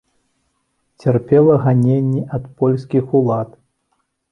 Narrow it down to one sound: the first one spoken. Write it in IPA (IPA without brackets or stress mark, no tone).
t͡sʲ